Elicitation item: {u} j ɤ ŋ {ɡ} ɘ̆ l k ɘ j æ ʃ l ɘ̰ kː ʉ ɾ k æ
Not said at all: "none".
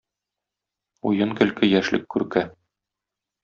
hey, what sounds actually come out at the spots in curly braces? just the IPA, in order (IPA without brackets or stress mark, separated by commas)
u, k